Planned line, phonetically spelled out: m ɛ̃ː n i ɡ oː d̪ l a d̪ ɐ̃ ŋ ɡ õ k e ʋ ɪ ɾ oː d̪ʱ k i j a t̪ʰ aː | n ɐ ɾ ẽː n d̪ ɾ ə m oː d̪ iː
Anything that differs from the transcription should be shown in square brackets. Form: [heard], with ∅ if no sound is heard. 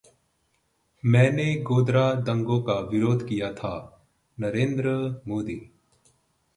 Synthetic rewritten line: m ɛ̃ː n [e] ɡ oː d̪ [ɾ] a d̪ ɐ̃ ŋ ɡ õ k [a] ʋ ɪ ɾ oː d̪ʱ k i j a t̪ʰ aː | n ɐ ɾ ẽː n d̪ ɾ ə m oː d̪ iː

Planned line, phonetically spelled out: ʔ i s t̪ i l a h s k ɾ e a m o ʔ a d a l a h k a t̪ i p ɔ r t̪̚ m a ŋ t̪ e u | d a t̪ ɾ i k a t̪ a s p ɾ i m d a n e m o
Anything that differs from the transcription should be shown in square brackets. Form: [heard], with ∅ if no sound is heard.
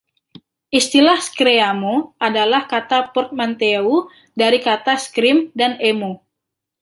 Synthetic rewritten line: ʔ i s t̪ i l a h s k ɾ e a m o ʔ a d a l a h k a t̪ [a] p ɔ r t̪̚ m a [n] t̪ e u | d a [∅] ɾ i k a t̪ a s [k] ɾ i m d a n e m o

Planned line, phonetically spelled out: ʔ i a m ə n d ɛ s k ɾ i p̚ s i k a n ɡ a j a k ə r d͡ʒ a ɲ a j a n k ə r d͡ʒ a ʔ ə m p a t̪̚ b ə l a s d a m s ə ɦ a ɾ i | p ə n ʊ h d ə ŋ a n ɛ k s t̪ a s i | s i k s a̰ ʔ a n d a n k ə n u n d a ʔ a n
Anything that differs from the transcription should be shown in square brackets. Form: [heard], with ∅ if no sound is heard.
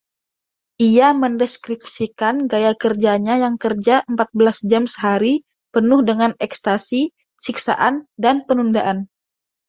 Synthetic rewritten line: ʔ i a m ə n d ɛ s k ɾ i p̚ s i k a n ɡ a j a k ə r d͡ʒ a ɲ a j a [ŋ] k ə r d͡ʒ a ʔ ə m p a t̪̚ b ə l a s [d͡ʒ] a m s ə ɦ a ɾ i | p ə n ʊ h d ə ŋ a n ɛ k s t̪ a s i | s i k s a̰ ʔ a n d a n [p] ə n u n d a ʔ a n

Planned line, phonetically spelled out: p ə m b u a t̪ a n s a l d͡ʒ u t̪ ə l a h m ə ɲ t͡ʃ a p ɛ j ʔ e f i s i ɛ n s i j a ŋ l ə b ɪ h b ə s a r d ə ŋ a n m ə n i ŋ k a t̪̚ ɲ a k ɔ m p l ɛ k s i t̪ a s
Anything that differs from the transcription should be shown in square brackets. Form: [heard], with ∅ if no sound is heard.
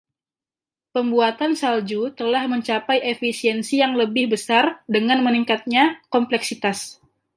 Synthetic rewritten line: p ə m b u a t̪ a n s a l d͡ʒ u t̪ ə l a h m ə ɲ t͡ʃ a p [a] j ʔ e f i s i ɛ n s i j a ŋ l ə b ɪ h b ə s a r d ə ŋ a n m ə n i ŋ k a t̪̚ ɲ a k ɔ m p l ɛ k s i t̪ a s

